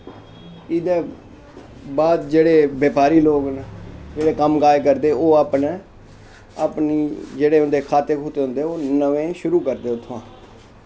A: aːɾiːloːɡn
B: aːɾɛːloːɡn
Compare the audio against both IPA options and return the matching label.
A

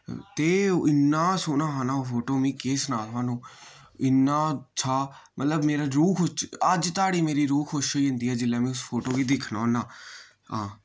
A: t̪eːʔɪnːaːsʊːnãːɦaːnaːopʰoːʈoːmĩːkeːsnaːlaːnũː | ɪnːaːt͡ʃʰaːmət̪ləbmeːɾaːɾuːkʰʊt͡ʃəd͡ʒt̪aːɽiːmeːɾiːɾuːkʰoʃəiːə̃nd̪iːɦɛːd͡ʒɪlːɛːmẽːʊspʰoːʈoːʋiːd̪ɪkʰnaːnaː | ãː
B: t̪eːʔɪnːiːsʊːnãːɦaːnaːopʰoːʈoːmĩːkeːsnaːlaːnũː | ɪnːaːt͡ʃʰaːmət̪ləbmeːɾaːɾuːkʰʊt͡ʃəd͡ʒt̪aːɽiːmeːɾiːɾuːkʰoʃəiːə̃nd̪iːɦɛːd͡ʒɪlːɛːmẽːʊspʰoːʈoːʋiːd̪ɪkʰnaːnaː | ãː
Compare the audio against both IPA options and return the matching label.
A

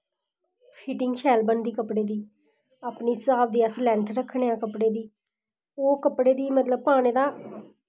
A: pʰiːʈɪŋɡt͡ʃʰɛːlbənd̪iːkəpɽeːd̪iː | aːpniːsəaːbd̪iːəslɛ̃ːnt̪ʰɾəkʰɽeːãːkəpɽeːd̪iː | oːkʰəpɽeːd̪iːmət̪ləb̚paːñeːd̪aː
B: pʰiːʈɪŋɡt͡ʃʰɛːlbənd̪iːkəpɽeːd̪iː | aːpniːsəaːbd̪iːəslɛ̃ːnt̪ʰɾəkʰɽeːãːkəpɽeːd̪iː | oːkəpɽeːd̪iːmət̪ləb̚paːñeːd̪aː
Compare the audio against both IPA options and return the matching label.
B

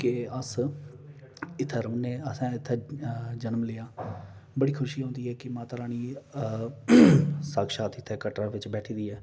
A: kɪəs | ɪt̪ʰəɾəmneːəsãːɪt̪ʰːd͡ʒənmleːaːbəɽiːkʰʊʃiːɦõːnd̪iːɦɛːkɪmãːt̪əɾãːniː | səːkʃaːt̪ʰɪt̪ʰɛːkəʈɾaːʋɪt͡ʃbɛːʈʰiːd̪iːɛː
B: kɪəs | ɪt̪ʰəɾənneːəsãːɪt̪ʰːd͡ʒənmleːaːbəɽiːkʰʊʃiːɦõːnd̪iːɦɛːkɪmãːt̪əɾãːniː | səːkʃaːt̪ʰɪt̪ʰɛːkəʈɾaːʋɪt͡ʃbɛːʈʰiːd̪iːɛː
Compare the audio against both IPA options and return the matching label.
A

